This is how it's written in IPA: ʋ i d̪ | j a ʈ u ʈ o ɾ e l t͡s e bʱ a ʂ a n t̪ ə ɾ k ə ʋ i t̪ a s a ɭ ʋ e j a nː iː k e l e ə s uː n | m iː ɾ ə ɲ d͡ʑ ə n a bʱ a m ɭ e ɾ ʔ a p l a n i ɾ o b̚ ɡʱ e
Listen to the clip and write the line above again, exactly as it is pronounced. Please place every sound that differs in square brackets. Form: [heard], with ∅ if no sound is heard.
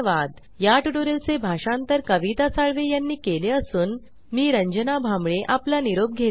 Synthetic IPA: ʋ [a] d̪ | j a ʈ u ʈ o ɾ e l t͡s e bʱ a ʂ a n t̪ ə ɾ k ə ʋ i t̪ a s a ɭ ʋ e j a nː iː k e l e ə s uː n | m iː ɾ ə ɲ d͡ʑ ə n a bʱ a m ɭ e [∅] ʔ a p l a n i ɾ o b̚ ɡʱ e